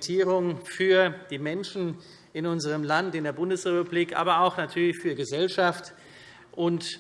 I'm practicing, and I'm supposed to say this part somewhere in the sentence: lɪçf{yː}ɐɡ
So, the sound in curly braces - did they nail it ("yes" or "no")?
yes